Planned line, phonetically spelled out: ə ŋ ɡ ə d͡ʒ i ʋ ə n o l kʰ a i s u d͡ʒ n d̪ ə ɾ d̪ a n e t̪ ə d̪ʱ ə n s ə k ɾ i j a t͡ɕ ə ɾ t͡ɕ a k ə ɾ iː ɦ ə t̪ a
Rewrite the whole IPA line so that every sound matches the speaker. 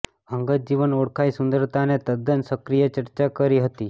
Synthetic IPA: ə ŋ ɡ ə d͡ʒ i ʋ ə n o ɽ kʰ a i s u n d̪ ə ɾ t̪ a n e t̪ ə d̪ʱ ə n s ə k ɾ i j ə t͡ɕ ə ɾ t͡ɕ a k ə ɾ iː ɦ ə t̪ i